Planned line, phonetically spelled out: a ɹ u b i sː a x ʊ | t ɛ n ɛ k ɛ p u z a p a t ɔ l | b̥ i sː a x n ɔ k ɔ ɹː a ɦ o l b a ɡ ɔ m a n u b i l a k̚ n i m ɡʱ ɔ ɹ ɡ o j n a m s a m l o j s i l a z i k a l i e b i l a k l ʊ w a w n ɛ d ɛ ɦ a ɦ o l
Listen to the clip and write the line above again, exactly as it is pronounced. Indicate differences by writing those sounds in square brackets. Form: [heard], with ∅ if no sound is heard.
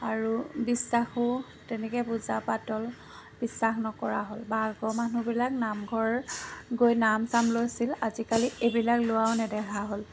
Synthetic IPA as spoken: a ɹ u b i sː a x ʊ | t ɛ n ɛ k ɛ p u z a p a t ɔ l | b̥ i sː a x n ɔ k ɔ [ɹ] a ɦ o l b a ɡ ɔ m a n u b i l a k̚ n [a] m ɡʱ ɔ ɹ ɡ o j n a m s a m l o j s i l a z i k a l i e b i l a k l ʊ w a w n ɛ d ɛ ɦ a ɦ o l